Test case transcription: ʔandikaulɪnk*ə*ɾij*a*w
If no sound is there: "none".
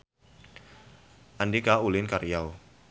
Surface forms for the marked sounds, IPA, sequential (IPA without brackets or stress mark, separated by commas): a, a